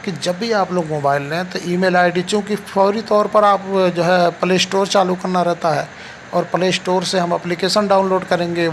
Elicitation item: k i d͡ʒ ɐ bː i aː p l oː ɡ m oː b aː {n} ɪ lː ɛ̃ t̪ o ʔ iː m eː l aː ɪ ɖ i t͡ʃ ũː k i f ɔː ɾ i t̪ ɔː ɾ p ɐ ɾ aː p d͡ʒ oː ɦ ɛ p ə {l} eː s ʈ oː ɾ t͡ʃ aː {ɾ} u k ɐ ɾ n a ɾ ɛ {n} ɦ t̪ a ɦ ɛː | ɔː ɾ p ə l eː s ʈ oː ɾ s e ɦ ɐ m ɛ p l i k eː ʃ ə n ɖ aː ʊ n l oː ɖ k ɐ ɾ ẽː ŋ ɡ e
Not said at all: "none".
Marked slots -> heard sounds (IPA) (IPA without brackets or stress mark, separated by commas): none, l, l, none